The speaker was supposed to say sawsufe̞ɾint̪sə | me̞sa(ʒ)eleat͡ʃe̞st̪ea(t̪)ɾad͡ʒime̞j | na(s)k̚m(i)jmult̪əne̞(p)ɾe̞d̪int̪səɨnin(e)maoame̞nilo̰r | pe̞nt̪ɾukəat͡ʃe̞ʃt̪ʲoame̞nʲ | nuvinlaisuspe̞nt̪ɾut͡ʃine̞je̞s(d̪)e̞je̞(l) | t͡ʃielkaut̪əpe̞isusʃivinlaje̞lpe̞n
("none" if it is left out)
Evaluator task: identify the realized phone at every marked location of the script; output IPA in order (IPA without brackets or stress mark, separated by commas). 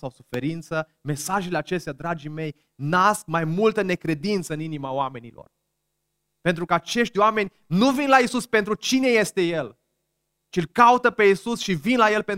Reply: ʒ, d̪, s, a, k, i, t̪, l